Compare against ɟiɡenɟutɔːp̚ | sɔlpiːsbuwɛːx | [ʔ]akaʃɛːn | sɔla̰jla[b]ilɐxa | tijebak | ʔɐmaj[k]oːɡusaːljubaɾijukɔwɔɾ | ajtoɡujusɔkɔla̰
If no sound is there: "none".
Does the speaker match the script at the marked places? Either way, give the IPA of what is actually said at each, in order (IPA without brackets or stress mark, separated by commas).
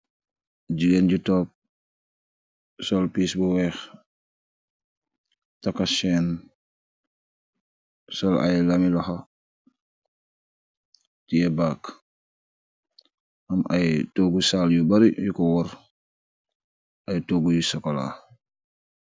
t, m, t